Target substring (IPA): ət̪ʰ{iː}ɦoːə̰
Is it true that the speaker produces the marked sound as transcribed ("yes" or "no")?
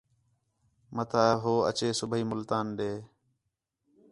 no